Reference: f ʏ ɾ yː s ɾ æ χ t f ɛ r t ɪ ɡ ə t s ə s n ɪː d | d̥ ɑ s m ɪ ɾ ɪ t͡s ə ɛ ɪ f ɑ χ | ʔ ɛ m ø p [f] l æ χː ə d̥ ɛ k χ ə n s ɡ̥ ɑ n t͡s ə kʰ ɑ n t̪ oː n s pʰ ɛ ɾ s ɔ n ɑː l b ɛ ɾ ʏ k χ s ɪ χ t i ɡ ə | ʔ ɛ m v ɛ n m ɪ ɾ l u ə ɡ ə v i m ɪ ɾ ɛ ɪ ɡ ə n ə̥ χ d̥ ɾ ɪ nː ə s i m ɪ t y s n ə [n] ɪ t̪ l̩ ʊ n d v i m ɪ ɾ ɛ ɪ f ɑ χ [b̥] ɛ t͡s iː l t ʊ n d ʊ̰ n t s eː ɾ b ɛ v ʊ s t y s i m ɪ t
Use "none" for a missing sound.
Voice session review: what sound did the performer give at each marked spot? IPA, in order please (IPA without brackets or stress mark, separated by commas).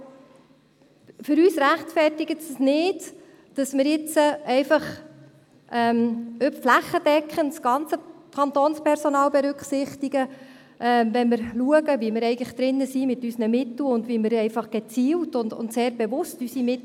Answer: f, m, ɡ̥